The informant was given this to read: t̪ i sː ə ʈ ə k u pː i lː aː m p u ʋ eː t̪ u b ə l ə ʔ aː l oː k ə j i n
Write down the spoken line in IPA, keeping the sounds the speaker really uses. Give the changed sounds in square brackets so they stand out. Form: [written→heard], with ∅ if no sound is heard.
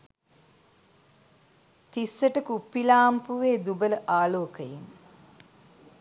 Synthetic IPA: t̪ i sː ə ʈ ə k u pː i [lː→l] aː m p u ʋ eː [t̪→d̪] u b ə l ə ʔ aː l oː k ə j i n